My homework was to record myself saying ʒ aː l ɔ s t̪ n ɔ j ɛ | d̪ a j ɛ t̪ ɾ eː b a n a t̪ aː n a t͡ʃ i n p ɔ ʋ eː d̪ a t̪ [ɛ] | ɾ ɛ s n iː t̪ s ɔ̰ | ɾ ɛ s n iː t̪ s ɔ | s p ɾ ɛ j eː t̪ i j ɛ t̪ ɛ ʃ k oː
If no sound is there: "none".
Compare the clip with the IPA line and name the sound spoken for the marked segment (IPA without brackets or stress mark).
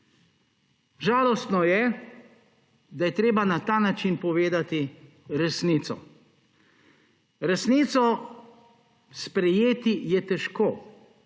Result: i